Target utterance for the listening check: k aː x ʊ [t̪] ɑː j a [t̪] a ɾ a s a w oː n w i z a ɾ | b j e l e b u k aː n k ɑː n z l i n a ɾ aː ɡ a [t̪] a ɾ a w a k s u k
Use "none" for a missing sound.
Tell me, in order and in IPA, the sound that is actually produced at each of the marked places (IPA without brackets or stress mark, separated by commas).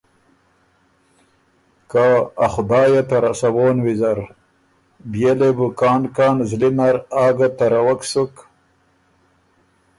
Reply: d̪, t̪, t̪